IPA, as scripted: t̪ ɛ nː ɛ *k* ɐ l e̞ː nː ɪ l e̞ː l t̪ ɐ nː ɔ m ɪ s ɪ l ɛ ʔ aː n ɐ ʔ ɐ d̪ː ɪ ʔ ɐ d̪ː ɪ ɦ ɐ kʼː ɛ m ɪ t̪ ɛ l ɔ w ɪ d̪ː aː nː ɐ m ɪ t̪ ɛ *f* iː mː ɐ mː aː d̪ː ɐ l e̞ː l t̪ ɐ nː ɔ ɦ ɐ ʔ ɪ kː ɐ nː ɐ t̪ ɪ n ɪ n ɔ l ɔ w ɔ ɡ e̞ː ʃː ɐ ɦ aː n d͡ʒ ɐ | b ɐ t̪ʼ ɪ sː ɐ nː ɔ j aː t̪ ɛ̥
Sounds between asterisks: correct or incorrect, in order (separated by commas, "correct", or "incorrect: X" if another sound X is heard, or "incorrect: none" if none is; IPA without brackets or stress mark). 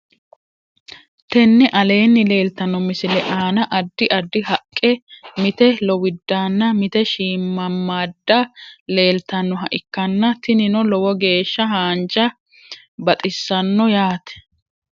incorrect: ʔ, incorrect: ʃ